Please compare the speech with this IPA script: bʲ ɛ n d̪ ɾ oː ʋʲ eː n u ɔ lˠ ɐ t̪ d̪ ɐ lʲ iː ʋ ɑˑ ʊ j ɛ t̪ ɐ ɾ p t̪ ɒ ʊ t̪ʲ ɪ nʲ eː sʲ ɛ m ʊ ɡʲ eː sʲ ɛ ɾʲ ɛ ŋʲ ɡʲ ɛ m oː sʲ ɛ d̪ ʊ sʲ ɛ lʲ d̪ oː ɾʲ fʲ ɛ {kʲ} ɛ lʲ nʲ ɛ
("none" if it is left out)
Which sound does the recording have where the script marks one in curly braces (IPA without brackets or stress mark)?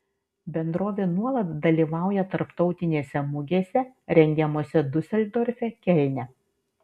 kʲ